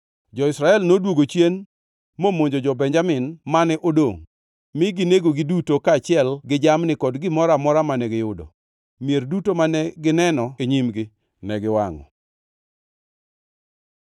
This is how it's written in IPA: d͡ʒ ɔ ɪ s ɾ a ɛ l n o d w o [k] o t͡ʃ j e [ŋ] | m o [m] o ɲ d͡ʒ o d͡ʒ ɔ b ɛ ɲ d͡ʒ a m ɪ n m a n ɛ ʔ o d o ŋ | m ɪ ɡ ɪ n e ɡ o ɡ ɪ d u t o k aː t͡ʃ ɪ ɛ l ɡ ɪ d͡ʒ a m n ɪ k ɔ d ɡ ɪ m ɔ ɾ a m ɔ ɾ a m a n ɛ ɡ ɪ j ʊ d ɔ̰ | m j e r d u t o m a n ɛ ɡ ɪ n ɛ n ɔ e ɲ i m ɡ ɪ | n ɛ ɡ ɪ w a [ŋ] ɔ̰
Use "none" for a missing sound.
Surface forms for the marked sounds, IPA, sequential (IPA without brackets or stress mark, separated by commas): ɡ, n, m, ŋ